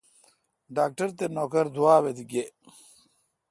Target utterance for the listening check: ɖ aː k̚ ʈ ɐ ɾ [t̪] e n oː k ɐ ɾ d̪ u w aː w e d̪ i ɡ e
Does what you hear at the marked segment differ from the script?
no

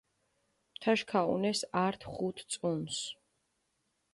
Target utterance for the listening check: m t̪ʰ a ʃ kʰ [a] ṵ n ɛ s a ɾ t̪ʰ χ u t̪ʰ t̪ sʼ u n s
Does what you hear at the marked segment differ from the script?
no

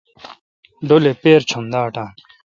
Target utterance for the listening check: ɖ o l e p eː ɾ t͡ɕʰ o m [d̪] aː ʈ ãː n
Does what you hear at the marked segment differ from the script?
no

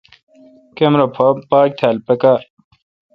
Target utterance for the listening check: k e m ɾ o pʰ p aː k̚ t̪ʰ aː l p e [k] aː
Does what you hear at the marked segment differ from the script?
no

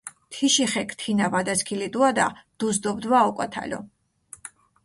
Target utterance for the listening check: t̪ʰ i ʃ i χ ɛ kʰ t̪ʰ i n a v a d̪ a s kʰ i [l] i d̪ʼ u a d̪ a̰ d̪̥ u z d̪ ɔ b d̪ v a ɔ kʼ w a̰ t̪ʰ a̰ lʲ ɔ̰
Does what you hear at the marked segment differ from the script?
no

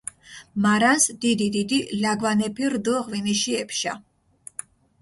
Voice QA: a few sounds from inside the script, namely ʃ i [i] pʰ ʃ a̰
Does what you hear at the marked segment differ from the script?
yes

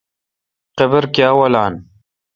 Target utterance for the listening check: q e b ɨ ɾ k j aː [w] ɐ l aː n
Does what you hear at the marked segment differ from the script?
no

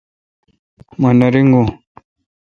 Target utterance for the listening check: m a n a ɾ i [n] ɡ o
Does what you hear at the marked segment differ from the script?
yes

